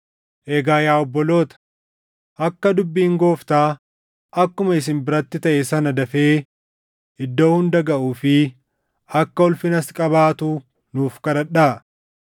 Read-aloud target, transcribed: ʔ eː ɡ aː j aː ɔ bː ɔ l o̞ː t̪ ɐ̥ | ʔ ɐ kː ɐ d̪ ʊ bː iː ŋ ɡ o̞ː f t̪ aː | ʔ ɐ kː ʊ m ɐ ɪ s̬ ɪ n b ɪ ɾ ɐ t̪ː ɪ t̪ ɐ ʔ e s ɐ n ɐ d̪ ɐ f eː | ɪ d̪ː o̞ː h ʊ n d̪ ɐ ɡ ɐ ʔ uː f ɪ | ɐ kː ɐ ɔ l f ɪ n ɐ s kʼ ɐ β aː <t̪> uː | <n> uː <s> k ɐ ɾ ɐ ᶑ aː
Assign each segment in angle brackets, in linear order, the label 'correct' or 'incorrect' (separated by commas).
correct, correct, incorrect